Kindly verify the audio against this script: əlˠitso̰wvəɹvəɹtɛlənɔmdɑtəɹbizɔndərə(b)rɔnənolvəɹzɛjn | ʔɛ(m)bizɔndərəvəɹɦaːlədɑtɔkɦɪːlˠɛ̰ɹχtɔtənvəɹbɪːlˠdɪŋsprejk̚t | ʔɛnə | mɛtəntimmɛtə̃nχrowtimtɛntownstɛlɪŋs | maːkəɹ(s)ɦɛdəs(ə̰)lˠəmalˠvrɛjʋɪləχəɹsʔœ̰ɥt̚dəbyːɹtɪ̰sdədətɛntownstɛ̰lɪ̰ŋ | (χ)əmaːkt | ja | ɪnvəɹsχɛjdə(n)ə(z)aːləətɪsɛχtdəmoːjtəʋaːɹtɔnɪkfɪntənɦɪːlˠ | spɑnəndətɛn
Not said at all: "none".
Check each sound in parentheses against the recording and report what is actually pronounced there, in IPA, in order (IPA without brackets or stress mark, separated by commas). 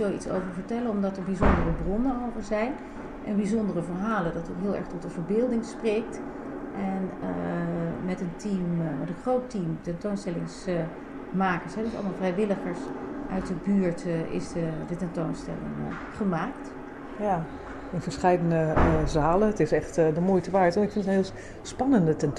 b, n, s, ɑ̰, χ, n, z